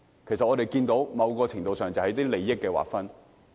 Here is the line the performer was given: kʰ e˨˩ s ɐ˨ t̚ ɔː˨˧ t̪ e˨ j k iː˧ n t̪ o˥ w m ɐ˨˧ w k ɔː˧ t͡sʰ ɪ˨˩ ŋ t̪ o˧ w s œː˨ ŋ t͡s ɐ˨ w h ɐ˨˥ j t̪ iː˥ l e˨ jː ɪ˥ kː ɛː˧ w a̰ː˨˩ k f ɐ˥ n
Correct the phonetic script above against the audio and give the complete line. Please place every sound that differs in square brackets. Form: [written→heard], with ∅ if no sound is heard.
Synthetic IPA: kʰ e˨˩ s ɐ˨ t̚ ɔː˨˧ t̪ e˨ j k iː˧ n t̪ [o˥→o˨˥] w m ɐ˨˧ w k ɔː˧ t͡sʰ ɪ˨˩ ŋ t̪ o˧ w s œː˨ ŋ t͡s ɐ˨ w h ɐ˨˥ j t̪ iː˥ l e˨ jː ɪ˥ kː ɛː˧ w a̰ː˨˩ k f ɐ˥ n